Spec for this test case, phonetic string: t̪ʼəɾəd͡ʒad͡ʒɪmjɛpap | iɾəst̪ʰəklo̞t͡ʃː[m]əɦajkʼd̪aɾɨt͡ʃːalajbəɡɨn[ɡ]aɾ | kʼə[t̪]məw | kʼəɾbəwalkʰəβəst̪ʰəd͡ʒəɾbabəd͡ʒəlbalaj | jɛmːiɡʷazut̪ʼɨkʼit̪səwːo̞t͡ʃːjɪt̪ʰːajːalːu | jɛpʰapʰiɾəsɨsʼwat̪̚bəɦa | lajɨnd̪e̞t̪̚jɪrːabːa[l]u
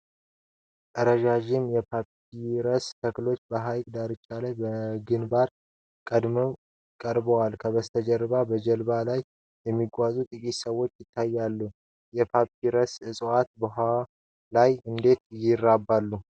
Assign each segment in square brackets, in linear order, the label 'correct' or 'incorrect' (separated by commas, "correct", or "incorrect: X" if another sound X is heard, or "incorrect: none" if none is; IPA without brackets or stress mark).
incorrect: b, incorrect: b, incorrect: d̪, incorrect: lː